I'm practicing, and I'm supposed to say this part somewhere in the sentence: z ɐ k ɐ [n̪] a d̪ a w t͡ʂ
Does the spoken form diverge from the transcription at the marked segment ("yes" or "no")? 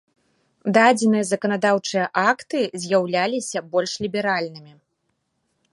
no